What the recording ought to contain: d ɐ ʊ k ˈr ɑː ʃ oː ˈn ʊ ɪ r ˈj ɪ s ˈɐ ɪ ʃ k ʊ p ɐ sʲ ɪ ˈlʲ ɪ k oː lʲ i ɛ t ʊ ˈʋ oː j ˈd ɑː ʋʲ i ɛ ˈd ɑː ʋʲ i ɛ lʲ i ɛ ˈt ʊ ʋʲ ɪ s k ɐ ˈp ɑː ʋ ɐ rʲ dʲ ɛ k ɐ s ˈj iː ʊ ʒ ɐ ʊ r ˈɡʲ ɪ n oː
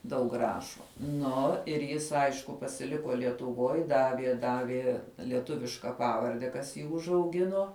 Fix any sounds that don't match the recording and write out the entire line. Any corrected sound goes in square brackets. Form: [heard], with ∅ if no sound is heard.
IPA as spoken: d ɐ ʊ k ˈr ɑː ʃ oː ˈn ʊ ɪ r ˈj ɪ s ˈɐ ɪ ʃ k ʊ p ɐ sʲ ɪ ˈlʲ ɪ k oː lʲ i ɛ t ʊ ˈʋ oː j ˈd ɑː ʋʲ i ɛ ˈd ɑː ʋʲ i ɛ lʲ i ɛ ˈt ʊ ʋʲ ɪ [ʃ] k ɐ ˈp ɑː ʋ ɐ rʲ dʲ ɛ k ɐ s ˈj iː ʊ ʒ ɐ ʊ [∅] ˈɡʲ ɪ n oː